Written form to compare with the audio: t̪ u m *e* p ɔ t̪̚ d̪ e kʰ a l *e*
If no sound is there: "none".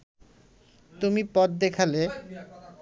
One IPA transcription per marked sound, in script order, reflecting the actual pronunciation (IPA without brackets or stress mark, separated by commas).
i, e